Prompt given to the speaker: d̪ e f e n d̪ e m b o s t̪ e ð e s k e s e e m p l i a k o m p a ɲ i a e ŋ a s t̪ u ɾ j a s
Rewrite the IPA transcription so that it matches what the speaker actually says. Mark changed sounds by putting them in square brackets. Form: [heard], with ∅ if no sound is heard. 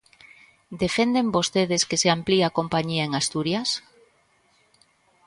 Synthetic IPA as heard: d̪ e f e n d̪ e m b o s t̪ e ð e s k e s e [a] m p l i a k o m p a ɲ i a e ŋ a s t̪ u ɾ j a s